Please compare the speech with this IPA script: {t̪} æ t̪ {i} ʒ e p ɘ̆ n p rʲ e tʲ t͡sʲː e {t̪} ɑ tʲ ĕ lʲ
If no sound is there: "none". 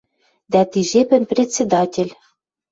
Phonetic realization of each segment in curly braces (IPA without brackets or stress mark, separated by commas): d̪, i, d̪